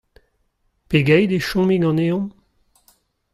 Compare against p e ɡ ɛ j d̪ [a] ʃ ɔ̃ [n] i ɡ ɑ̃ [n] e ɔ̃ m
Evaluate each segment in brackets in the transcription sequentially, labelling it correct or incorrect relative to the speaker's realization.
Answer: incorrect: e, incorrect: m, correct

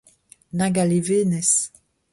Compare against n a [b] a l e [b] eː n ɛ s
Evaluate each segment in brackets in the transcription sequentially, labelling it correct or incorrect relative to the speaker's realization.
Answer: incorrect: ɡ, incorrect: v

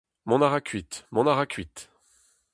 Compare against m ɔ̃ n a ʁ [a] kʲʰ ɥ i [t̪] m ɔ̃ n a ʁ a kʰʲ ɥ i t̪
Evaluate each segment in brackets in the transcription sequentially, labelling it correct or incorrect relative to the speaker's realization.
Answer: correct, correct

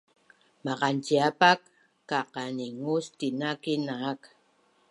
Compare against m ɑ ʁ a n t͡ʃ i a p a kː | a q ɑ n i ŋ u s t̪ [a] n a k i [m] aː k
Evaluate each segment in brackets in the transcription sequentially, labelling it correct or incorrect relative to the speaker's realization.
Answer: incorrect: i, incorrect: n

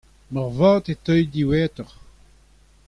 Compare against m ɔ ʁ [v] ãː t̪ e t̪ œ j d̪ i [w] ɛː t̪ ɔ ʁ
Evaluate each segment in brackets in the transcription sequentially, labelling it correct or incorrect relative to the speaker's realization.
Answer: correct, correct

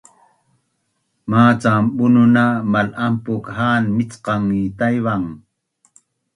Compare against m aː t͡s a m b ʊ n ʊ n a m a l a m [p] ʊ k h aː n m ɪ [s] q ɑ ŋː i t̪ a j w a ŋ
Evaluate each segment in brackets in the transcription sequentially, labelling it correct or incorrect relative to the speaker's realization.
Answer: correct, incorrect: t͡s

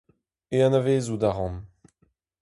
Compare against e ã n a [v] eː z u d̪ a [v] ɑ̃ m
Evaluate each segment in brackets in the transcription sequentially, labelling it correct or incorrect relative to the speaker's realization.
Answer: correct, incorrect: ʁ

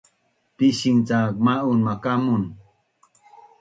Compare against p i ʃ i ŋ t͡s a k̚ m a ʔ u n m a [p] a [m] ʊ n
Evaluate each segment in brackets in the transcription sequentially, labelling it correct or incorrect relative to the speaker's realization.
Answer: incorrect: k, correct

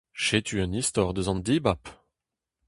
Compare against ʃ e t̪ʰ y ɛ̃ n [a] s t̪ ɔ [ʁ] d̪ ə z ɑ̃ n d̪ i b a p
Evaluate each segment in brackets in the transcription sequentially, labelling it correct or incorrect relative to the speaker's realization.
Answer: incorrect: i, correct

